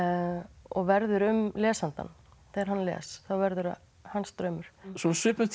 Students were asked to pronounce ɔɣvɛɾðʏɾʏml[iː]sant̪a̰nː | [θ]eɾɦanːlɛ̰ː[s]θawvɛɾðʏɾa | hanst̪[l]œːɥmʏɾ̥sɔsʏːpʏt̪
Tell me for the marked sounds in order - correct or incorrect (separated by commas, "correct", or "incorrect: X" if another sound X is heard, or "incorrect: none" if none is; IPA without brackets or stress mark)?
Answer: incorrect: ɛː, correct, correct, incorrect: ɾ